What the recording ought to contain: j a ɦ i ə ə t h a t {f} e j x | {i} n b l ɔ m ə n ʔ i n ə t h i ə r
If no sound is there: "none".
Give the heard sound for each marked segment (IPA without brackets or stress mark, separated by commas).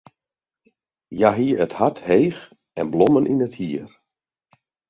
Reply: h, ɛ